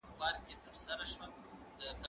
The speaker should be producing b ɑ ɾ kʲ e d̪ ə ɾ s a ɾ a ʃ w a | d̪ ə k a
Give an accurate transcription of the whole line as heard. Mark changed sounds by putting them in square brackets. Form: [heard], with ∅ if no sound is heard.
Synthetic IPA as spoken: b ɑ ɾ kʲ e [t̪] ə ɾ s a ɾ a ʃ w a | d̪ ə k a